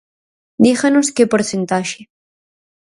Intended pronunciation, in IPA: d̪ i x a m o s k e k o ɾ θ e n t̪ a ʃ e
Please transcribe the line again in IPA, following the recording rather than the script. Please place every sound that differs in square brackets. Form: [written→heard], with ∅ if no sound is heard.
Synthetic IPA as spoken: d̪ i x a [m→n] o s k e [k→p] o ɾ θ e n t̪ a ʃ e